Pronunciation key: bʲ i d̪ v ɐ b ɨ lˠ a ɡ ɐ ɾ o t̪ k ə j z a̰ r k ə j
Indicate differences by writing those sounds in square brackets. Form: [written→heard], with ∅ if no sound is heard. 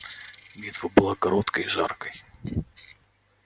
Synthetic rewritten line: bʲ i [d̪→t̪] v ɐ b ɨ lˠ a [ɡ→k] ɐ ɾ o t̪ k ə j [z→ʐ] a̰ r k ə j